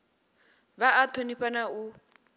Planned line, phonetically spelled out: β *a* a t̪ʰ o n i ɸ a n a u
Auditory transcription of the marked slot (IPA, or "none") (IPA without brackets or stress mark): a